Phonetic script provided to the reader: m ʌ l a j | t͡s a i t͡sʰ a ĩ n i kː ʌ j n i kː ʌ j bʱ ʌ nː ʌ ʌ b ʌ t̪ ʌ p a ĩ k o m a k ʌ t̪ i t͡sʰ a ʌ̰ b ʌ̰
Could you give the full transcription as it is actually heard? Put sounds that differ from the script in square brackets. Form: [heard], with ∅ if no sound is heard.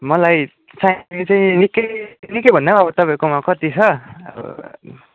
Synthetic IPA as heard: m ʌ l a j | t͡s a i [t͡s] a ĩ n i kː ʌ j n i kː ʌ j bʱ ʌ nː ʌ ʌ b ʌ t̪ ʌ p a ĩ k o m a k ʌ t̪ i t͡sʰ [ʌ] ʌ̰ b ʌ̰